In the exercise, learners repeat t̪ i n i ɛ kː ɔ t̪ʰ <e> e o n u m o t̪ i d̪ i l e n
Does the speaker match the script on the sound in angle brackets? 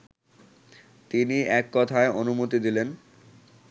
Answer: no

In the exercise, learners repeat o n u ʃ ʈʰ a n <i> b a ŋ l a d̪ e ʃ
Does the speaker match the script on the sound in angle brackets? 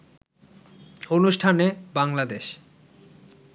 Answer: no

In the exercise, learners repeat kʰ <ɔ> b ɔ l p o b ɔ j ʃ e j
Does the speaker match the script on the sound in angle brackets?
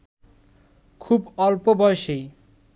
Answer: no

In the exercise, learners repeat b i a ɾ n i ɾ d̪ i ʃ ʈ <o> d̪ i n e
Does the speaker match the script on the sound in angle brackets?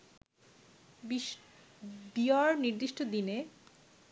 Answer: yes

